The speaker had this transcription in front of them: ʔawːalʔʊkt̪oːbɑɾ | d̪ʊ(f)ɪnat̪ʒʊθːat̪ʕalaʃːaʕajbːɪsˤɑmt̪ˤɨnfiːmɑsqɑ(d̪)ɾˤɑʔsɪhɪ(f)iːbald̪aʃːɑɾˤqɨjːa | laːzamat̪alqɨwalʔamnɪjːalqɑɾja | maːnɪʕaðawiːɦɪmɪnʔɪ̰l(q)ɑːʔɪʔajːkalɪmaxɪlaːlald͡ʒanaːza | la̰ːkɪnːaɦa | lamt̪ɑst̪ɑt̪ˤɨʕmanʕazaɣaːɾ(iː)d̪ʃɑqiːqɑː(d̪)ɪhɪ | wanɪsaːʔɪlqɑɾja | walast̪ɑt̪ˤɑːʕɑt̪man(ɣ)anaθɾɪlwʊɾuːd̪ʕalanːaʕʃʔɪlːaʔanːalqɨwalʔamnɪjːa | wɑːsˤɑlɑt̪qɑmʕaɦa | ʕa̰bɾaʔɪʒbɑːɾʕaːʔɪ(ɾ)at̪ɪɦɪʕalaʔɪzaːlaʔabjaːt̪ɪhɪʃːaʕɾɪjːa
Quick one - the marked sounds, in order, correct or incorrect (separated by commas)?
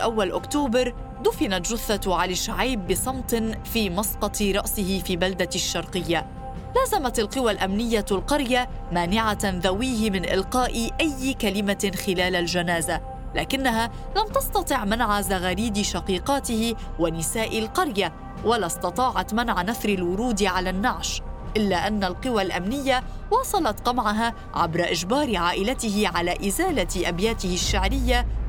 correct, incorrect, correct, correct, correct, incorrect, incorrect, incorrect